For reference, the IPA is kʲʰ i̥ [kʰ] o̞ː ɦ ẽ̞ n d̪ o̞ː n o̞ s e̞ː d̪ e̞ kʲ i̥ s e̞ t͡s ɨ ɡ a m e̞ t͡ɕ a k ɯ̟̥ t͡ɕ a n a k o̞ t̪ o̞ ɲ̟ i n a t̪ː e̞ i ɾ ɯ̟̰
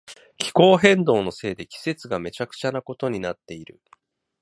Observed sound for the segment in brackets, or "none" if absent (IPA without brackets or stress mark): k